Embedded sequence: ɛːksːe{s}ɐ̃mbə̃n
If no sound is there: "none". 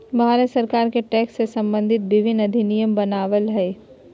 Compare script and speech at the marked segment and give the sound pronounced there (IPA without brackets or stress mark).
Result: s